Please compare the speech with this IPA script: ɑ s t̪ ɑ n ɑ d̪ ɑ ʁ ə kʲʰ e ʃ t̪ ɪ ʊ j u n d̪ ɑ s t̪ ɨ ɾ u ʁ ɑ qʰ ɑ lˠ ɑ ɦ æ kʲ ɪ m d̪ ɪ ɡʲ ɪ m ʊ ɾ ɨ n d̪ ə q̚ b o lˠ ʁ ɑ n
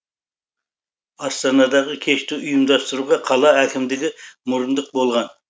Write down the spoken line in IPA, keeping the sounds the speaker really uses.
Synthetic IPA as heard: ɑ s t̪ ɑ n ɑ d̪ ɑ ʁ ə kʲʰ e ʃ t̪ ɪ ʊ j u m d̪ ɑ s t̪ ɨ ɾ u ʁ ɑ qʰ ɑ lˠ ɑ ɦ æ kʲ ɪ m d̪ ɪ ɡʲ ɪ m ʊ ɾ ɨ n d̪ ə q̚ b o lˠ ʁ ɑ n